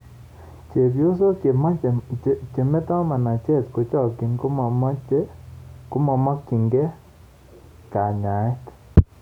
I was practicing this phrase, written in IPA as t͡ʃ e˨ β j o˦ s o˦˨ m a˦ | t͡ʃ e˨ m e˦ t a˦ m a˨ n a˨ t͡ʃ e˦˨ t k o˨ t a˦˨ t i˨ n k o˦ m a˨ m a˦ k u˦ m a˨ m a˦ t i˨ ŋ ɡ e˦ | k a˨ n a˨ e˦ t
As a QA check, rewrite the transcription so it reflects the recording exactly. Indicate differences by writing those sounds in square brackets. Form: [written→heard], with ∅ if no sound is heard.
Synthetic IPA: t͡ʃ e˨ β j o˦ s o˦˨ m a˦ | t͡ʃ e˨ m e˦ t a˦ m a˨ n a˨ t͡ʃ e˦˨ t k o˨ [t→t͡ʃ] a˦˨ [t→k] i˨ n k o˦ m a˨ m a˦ k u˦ m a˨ m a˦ [t→k] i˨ ŋ ɡ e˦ | k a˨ [n→ɲ] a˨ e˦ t